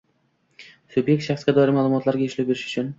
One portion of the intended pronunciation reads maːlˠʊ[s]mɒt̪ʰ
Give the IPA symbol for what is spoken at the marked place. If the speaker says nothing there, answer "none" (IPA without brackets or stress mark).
none